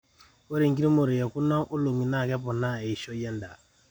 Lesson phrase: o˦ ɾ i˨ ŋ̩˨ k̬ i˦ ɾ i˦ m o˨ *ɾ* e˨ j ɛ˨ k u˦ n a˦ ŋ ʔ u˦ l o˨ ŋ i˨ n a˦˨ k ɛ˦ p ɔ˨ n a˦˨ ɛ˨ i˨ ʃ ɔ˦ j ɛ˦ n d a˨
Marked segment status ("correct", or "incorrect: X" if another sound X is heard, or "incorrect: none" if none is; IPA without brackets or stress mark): correct